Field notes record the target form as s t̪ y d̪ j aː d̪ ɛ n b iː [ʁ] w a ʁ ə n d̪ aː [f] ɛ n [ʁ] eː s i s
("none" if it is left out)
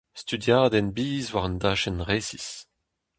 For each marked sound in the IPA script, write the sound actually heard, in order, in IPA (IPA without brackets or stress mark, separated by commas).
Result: z, ʃ, ʁ